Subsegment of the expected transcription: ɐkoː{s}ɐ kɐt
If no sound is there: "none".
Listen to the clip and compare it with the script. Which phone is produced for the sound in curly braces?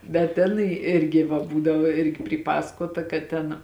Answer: t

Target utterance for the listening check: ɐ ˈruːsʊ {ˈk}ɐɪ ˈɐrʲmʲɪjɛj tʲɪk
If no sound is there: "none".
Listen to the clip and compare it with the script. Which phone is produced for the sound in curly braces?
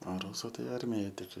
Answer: t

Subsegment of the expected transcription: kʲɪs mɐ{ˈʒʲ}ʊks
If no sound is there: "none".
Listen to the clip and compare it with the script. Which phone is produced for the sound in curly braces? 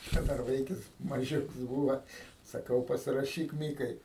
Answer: ʒʲ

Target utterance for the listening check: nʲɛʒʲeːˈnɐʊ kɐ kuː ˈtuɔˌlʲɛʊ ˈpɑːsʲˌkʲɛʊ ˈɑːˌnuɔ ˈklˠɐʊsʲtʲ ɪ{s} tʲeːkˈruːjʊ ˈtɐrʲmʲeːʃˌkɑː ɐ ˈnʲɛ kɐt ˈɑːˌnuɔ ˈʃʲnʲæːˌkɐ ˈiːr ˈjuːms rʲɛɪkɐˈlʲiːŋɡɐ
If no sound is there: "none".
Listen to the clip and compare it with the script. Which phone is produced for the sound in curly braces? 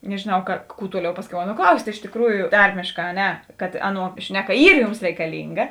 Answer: ʃ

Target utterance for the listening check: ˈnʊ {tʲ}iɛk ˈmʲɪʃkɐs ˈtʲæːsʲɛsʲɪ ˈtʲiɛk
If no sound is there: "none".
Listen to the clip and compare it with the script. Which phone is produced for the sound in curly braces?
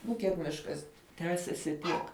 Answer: kʲ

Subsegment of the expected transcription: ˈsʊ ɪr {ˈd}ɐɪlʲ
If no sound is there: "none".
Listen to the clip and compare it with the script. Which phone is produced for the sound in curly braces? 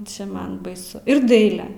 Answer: d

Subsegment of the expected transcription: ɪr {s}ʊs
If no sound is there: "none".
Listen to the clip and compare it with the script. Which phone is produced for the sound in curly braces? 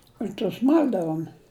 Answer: t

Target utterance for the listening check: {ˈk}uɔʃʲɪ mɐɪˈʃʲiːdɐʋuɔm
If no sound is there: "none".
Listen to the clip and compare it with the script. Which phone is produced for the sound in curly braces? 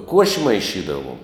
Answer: k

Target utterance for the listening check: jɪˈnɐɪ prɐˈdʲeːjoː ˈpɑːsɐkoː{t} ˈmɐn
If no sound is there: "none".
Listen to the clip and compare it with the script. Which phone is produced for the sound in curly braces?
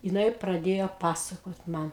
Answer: t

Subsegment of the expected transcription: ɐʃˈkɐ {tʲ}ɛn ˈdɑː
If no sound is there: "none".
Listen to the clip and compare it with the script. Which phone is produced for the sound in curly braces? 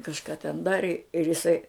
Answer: tʲ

